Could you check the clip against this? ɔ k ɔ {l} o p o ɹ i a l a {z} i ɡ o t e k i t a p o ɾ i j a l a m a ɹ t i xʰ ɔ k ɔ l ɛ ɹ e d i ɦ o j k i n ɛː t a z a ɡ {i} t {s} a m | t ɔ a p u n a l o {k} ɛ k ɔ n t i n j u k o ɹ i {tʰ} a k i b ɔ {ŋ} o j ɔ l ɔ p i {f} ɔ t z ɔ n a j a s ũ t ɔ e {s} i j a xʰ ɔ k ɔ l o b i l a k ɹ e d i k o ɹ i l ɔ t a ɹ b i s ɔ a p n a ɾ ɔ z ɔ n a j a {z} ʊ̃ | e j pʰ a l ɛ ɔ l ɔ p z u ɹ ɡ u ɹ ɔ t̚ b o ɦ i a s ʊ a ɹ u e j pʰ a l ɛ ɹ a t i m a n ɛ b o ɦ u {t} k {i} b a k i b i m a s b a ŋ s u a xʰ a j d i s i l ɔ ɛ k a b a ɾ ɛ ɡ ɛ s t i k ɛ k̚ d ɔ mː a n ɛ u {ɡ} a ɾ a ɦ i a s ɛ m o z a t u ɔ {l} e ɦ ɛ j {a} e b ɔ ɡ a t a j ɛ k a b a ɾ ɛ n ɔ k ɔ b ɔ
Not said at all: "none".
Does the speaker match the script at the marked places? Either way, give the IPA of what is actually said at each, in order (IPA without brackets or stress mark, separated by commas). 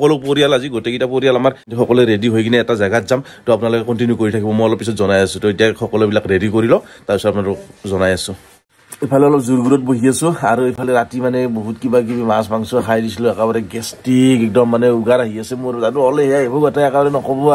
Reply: l, z, a, z, k, tʰ, m, s, t, s, t, i, ɡ, l, a